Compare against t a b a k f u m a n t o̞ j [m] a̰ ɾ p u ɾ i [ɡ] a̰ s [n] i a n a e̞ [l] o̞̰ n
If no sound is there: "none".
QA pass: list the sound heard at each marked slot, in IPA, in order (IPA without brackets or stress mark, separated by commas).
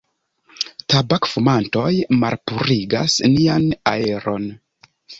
m, ɡ, n, ɾ